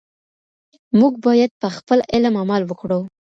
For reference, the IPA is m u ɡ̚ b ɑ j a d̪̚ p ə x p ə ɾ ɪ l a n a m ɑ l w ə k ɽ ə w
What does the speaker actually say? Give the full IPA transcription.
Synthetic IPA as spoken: m u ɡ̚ b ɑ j a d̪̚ p ə x p ə l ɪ l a m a m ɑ l w ə k ɽ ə w